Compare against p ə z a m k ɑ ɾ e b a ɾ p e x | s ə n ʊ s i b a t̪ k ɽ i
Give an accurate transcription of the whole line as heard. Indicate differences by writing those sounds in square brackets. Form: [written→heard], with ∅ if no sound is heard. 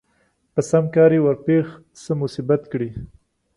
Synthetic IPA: p ə [z→s] a m k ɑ ɾ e [b→w] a ɾ p e x | s ə [n→m] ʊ s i b a t̪ k ɽ i